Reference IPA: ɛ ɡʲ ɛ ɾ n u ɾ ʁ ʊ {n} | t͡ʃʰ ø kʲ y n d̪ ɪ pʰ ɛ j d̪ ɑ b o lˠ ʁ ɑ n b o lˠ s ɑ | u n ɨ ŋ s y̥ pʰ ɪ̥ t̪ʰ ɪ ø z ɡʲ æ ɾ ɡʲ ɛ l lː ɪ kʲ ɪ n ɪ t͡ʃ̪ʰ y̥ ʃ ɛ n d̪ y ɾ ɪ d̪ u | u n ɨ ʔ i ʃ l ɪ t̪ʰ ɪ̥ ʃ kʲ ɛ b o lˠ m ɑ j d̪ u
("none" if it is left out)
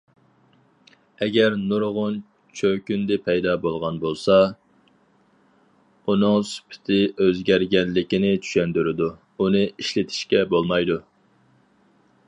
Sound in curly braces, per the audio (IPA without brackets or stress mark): n